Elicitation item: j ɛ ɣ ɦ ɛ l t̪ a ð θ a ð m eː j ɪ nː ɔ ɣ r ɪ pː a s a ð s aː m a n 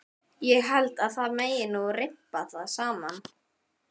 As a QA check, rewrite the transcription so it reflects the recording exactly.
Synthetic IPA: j ɛ ɣ ɦ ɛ l t̪ a ð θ a ð m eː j ɪ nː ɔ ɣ r ɪ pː a θ a ð s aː m a n